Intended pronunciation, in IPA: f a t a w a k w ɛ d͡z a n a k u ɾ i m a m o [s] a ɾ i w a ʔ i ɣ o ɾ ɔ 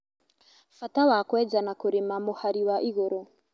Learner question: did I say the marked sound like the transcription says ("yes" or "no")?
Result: no